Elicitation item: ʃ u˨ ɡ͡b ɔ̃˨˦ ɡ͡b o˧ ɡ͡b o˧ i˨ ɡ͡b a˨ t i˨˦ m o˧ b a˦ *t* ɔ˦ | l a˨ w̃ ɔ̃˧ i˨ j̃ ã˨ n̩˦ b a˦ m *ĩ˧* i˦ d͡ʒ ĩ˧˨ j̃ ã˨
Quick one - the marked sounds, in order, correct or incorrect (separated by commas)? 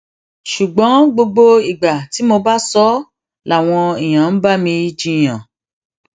incorrect, correct